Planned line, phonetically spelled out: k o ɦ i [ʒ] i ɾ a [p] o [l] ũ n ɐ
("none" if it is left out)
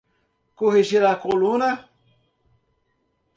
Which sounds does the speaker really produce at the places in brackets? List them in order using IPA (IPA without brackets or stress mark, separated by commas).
ʒ, k, l